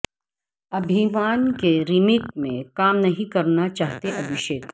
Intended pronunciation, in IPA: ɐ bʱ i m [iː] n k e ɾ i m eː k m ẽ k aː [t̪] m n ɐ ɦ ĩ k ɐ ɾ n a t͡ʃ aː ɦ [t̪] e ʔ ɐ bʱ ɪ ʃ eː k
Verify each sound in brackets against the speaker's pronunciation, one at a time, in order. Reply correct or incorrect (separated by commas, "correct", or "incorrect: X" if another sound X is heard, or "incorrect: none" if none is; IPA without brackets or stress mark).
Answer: incorrect: aː, incorrect: none, correct